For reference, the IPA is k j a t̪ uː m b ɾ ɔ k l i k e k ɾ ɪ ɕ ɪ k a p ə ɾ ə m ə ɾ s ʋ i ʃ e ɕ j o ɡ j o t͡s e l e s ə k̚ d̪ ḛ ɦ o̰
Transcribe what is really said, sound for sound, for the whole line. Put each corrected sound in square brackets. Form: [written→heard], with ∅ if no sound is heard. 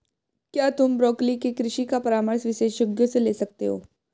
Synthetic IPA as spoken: k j a t̪ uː m b ɾ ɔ k l i k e k ɾ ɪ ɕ [ɪ→i] k a p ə ɾ [ə→a] m ə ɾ s ʋ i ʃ e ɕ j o ɡ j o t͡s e l e s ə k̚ [d̪→t̪] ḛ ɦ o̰